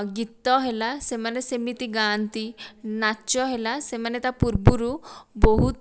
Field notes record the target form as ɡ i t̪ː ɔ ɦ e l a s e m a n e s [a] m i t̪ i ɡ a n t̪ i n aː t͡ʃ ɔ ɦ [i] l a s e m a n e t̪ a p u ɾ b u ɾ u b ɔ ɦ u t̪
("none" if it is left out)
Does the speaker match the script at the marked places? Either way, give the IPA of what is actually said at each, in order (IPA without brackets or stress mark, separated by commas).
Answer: e, e